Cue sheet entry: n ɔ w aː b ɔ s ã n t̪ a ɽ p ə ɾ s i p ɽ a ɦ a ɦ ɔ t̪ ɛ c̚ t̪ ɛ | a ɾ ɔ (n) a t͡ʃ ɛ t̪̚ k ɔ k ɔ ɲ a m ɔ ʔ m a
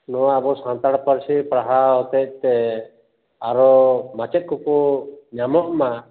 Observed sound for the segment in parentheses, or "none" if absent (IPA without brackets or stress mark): m